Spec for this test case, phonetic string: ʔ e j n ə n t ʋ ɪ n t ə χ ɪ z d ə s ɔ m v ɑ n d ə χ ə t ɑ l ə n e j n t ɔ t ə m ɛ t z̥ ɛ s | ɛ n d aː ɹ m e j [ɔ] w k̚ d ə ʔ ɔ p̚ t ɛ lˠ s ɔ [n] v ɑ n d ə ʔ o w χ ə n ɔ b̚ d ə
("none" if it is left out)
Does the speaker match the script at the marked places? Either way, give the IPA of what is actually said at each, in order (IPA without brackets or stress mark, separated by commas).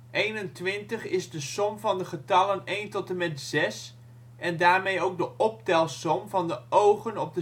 o, m